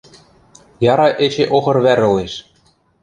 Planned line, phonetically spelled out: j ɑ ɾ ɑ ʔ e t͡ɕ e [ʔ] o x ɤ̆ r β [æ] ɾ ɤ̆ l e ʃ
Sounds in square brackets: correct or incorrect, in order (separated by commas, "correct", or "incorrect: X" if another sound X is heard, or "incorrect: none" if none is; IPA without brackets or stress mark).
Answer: correct, correct